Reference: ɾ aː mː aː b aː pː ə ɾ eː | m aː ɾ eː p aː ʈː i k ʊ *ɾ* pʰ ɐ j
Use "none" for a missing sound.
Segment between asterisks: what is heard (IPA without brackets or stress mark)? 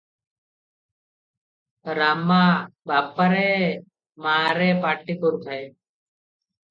ɾ